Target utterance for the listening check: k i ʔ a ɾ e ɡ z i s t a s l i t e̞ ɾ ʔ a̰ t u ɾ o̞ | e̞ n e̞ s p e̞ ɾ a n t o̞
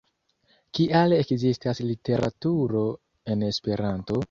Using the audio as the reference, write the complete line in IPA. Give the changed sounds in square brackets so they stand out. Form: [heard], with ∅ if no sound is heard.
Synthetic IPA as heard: k i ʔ a [l] e [k] z i s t a s l i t e̞ ɾ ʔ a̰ t u ɾ o̞ | e̞ n e̞ s p e̞ ɾ a n t o̞